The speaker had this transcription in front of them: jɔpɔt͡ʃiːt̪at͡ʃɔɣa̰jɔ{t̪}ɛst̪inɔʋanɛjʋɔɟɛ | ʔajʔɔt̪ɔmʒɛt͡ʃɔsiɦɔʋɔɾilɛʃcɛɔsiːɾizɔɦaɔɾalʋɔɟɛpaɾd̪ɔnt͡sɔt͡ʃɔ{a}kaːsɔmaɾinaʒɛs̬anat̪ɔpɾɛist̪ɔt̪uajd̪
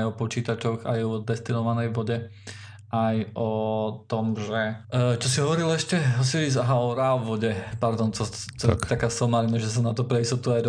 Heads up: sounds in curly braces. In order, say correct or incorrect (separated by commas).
incorrect, correct